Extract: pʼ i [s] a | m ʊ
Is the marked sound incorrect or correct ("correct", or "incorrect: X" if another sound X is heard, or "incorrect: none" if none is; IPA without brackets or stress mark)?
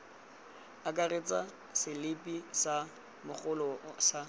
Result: correct